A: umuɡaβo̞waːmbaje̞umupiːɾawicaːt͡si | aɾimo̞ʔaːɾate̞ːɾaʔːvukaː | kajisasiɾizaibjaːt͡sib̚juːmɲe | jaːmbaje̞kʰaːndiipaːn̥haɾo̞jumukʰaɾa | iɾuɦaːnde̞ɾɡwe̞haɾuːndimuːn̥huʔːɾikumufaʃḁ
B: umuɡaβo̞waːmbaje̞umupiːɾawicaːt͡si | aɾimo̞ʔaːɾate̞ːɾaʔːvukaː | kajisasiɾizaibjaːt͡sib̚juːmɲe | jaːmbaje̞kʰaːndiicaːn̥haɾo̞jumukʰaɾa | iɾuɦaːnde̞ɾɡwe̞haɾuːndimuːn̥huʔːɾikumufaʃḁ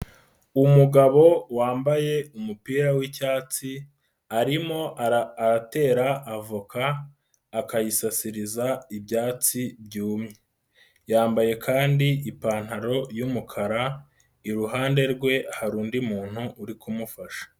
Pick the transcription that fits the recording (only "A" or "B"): A